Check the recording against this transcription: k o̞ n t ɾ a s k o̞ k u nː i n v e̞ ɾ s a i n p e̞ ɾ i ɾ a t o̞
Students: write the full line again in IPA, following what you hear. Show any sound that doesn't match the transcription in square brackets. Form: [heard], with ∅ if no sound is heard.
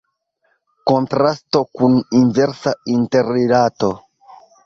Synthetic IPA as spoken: k o̞ n t ɾ a s [t] o̞ k u [n] i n v e̞ ɾ s a i n [t] e̞ ɾ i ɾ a t o̞